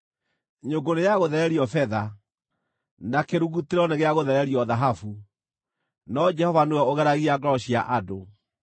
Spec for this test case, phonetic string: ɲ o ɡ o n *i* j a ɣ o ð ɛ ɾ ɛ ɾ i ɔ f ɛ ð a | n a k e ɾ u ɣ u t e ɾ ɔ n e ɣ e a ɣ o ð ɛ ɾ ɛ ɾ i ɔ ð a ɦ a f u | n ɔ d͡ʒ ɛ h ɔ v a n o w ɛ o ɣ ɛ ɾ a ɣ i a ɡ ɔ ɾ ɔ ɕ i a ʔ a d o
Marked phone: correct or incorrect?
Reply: incorrect